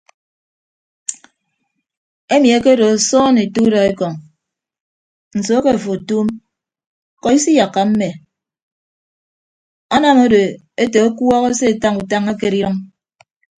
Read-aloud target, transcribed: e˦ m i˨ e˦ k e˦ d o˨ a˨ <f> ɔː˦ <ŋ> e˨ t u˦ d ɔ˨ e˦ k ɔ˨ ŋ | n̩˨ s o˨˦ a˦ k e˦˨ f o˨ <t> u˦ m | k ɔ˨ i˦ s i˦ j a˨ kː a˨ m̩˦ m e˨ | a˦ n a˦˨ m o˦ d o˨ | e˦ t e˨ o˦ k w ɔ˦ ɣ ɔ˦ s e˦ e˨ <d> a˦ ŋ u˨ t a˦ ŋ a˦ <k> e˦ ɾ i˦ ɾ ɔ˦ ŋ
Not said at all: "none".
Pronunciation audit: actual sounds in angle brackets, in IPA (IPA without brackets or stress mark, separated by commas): s, n, t, t, k